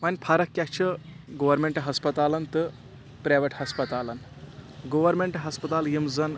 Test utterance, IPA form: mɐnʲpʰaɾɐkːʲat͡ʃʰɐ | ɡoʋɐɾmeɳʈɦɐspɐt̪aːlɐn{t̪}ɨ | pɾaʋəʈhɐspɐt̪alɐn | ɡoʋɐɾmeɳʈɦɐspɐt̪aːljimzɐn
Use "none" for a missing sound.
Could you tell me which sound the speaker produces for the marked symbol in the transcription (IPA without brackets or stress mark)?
t̪